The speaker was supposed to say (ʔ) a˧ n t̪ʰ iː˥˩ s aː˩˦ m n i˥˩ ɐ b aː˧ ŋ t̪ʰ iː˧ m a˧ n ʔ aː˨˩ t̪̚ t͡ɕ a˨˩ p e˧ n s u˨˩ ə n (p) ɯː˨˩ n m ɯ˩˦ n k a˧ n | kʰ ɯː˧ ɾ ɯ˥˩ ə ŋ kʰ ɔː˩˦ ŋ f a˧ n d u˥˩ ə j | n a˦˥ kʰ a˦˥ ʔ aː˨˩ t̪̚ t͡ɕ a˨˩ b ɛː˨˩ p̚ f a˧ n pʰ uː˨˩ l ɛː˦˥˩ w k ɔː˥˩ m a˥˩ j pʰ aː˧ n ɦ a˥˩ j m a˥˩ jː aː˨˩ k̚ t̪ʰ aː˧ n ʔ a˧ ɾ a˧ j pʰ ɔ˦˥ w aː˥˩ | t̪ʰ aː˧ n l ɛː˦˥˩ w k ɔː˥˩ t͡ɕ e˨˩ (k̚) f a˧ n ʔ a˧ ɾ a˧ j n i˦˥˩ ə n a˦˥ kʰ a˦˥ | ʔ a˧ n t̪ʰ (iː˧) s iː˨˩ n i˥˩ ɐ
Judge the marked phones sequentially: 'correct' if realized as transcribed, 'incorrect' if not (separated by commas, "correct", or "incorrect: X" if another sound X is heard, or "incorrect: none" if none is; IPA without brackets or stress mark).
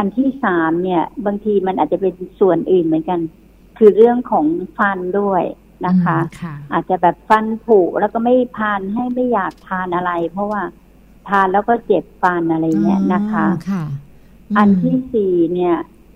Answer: correct, incorrect: ʔ, incorrect: p̚, incorrect: iː˥˩